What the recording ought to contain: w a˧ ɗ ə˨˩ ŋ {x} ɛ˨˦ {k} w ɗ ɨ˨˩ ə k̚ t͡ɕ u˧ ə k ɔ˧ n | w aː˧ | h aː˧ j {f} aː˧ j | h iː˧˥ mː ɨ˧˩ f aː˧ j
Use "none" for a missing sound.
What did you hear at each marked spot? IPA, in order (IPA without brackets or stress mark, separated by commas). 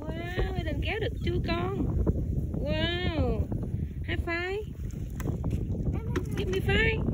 k, none, f